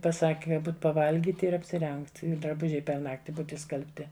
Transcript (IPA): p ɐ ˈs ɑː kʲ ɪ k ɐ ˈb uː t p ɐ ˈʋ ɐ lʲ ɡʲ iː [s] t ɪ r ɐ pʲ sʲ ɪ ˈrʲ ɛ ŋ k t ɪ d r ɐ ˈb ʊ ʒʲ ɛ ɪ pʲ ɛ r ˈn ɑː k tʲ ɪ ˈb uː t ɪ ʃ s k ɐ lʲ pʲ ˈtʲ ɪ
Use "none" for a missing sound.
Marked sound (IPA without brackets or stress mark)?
none